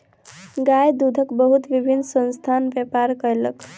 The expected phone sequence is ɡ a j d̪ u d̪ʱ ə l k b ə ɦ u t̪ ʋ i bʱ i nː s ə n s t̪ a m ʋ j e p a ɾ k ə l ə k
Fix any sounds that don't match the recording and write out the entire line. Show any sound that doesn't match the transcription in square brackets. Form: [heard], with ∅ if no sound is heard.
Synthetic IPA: ɡ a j d̪ u d̪ʱ ə [∅] k b ə ɦ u t̪ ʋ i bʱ i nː s ə n s [t̪ʰ] a [n] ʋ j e p a ɾ k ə l ə k